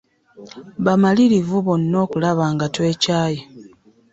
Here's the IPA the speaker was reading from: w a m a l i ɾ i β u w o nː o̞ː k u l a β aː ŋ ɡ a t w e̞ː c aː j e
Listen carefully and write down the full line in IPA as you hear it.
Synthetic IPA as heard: β a m a l i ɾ i v u β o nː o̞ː k u l a β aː ŋ ɡ a t w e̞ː c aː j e